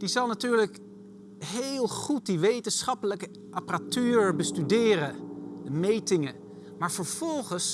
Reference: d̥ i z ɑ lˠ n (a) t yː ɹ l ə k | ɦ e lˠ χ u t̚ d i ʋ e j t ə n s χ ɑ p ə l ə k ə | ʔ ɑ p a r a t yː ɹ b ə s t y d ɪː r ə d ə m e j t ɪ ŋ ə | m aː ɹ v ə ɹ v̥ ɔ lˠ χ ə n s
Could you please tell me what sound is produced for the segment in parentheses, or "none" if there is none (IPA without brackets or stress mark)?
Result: a